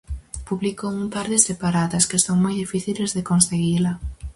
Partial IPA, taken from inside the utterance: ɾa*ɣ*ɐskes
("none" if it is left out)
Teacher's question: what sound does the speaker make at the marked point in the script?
ð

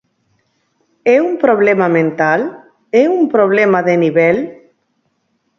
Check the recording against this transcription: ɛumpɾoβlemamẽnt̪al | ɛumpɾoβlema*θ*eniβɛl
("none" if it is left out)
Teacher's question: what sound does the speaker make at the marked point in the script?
ð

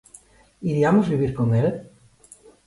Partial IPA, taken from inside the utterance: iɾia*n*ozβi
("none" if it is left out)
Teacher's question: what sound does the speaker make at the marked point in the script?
m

